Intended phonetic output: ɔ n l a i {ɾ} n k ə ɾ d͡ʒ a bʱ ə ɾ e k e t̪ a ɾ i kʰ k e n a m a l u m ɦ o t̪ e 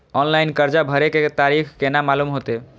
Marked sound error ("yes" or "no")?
yes